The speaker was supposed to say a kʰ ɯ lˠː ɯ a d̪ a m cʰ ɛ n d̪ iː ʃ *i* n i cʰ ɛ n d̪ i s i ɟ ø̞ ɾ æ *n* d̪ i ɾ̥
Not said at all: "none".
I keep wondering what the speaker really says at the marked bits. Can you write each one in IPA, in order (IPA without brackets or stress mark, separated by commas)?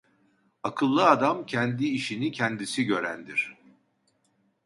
i, n